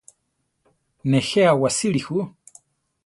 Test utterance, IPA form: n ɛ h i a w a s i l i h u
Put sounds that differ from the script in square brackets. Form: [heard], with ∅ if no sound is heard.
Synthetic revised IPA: n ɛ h [ɛ] a w a s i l i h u